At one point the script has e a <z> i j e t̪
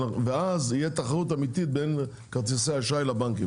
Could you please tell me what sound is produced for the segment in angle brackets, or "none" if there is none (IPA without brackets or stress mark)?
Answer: z